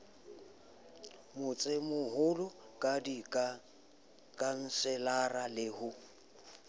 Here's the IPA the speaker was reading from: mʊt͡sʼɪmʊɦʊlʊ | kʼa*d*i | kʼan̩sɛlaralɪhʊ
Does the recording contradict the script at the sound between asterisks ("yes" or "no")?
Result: no